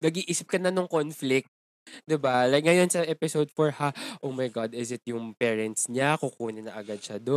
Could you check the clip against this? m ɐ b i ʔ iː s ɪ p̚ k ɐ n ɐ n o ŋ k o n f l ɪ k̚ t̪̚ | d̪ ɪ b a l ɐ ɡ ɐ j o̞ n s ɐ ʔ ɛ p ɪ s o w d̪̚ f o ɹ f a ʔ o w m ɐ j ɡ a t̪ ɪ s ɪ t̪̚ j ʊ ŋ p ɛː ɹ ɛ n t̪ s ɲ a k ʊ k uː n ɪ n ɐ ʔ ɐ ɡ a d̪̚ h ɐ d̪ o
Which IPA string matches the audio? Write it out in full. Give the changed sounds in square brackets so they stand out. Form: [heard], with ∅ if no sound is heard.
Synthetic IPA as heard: [n] ɐ [ɡ] i ʔ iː s ɪ p̚ k ɐ n ɐ n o ŋ k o n f l ɪ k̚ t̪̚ | d̪ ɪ b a l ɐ [ŋ] ɐ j o̞ n s ɐ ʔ ɛ p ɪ s o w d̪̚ f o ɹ [h] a ʔ o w m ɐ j ɡ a [d̪] ɪ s ɪ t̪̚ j ʊ ŋ p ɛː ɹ ɛ n t̪ s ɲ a k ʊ k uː n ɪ n ɐ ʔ ɐ ɡ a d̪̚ [ʃ] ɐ d̪ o